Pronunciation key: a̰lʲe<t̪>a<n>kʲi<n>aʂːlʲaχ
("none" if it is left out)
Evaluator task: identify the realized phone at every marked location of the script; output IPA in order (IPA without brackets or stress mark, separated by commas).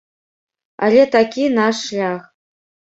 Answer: t̪, none, n